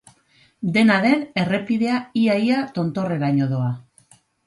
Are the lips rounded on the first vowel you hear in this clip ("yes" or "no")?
no